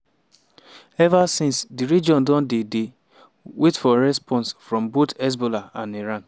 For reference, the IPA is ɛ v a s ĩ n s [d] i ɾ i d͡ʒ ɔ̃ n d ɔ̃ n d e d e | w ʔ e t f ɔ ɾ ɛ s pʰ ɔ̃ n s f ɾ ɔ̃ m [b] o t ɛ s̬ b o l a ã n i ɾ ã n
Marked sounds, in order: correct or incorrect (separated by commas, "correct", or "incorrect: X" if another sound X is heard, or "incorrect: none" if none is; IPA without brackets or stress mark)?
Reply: correct, correct